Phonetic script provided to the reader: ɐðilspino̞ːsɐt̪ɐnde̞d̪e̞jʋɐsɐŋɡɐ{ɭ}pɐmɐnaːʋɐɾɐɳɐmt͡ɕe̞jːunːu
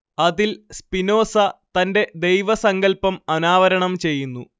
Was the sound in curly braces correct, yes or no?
no